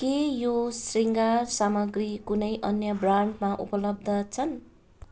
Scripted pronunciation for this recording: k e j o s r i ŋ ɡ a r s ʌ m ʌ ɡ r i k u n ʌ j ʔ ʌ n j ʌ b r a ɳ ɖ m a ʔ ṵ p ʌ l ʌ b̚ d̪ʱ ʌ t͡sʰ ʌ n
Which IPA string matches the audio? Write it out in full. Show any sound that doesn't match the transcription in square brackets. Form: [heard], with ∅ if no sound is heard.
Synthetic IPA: k e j o s r i ŋ ɡ a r s [a] m ʌ ɡ r i k u n ʌ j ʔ ʌ n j ʌ b r a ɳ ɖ m a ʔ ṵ p ʌ l ʌ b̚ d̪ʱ ʌ t͡sʰ ʌ n